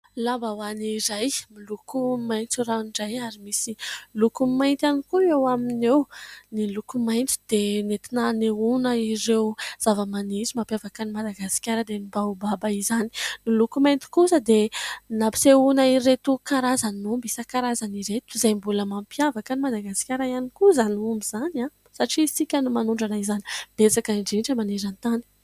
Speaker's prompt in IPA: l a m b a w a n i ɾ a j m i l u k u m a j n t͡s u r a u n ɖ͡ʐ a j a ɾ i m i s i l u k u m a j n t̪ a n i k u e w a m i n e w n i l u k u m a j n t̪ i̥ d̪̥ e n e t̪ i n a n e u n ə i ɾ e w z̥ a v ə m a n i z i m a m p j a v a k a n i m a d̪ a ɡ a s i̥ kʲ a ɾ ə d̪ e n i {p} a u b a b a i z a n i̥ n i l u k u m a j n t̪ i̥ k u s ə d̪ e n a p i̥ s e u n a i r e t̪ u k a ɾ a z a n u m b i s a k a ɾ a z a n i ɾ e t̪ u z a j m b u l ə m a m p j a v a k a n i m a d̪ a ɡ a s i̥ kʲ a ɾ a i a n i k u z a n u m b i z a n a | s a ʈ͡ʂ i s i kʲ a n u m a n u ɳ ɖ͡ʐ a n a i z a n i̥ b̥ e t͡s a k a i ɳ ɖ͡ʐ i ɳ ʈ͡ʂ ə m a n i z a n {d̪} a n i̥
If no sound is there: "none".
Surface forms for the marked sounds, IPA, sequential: b, t̪

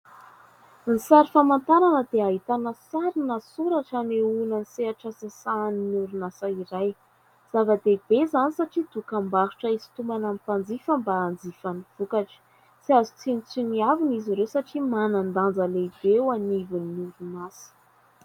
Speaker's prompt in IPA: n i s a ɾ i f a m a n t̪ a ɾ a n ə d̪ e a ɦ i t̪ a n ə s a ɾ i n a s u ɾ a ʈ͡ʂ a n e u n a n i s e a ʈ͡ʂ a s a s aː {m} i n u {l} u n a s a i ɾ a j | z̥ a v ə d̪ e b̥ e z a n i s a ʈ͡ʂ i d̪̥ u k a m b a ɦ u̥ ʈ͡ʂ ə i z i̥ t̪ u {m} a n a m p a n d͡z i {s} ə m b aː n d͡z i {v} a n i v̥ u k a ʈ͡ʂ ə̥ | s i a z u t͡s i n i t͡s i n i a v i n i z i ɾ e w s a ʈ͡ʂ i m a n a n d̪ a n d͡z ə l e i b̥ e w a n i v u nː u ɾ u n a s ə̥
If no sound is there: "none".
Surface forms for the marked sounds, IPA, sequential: n, ɾ, m, f, f

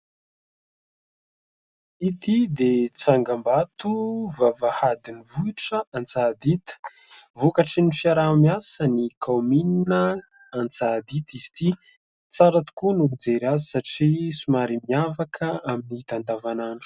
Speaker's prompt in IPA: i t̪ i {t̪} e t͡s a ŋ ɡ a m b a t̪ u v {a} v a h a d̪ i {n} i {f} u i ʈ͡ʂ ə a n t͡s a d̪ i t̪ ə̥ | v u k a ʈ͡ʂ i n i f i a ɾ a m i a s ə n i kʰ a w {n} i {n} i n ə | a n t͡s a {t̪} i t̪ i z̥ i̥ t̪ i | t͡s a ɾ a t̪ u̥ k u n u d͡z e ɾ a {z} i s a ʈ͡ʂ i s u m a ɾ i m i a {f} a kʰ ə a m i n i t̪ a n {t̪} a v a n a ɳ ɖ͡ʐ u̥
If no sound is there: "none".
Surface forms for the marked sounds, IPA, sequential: d̪, a, n, v, m, n, d̪, z, v, d̪

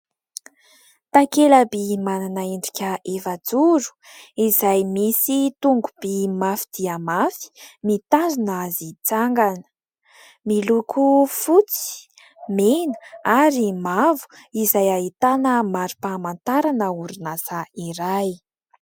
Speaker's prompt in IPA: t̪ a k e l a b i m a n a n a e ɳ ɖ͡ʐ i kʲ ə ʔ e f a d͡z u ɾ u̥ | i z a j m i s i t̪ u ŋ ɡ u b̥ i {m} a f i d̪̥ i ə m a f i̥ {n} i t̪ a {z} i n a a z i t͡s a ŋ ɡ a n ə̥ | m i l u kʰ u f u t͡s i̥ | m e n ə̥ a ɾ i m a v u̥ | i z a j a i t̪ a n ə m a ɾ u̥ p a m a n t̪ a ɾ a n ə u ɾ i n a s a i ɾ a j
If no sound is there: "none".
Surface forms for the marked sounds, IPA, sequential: m, m, z

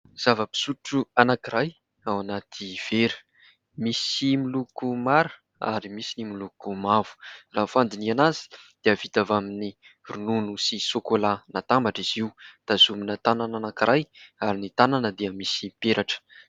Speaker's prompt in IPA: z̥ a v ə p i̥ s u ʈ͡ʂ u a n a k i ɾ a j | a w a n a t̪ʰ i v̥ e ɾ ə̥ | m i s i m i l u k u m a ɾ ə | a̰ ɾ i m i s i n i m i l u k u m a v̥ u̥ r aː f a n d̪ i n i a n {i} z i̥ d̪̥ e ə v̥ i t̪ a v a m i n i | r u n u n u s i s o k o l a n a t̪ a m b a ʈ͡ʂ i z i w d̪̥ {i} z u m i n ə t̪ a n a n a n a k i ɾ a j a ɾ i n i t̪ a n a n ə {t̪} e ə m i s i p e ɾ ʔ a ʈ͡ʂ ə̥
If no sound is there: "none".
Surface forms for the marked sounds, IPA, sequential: a, a, d̪

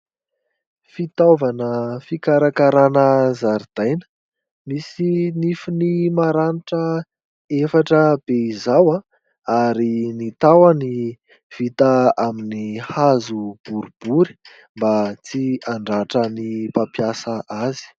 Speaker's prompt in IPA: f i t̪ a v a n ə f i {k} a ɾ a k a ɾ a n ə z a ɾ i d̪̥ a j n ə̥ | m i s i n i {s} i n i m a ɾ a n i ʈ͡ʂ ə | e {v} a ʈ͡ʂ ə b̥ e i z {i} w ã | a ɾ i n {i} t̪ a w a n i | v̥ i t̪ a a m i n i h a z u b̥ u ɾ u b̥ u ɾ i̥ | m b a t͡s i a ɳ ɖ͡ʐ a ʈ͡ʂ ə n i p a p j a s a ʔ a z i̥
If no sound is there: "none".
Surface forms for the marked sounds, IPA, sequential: k, f, f, a, i

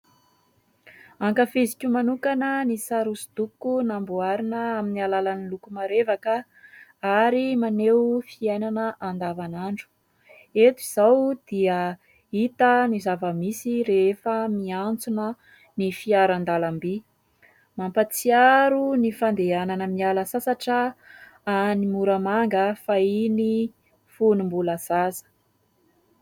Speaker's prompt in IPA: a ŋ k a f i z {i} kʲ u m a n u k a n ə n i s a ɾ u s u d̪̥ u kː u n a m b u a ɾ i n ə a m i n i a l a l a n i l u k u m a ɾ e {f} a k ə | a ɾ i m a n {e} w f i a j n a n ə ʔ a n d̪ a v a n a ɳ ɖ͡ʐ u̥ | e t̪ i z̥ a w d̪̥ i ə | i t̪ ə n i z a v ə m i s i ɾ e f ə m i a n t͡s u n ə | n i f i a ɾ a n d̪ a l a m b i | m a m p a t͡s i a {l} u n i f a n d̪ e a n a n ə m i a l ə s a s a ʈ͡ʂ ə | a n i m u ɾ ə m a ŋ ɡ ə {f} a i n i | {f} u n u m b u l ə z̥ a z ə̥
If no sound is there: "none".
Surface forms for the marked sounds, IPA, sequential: i, v, e, ɾ, f, f

